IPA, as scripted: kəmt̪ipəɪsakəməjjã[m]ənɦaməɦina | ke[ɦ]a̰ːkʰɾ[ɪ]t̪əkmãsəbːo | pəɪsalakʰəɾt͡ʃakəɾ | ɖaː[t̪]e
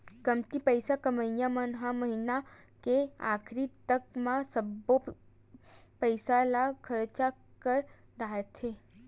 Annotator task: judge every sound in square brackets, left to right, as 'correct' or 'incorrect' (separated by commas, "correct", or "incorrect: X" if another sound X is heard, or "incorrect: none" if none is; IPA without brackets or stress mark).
correct, incorrect: none, incorrect: i, incorrect: t̪ʰ